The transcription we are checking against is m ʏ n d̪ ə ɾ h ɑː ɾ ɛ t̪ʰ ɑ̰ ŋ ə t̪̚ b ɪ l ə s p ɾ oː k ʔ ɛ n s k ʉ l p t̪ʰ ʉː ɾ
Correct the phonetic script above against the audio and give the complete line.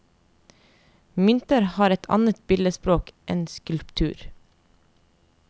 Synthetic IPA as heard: m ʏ n t̪ ə ɾ h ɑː ɾ ɛ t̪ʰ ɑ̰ n ə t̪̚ b ɪ l ə s p ɾ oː k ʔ ɛ n s k ʉ l p t̪ʰ ʉː ɾ